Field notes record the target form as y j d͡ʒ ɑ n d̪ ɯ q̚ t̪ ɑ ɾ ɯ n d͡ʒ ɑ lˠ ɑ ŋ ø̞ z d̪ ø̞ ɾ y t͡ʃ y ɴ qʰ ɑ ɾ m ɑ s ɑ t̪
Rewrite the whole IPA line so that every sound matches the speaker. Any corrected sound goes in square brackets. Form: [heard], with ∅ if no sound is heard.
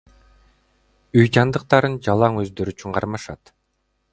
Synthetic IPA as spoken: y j d͡ʒ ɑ n d̪ ɯ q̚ t̪ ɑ ɾ ɯ n d͡ʒ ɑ lˠ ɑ ŋ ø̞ z d̪ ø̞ ɾ y t͡ʃ y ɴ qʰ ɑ ɾ m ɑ [ʃ] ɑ t̪